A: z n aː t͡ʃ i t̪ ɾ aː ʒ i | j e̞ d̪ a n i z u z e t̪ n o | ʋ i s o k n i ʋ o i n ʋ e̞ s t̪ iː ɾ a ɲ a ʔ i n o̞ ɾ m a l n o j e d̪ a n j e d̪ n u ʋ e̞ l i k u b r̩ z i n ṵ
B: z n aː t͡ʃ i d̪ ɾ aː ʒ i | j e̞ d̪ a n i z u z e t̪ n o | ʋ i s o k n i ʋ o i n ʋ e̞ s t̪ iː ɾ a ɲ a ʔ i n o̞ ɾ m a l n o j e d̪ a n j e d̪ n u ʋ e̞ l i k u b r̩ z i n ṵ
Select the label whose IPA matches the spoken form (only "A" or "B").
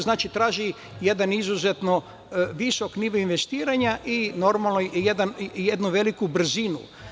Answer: A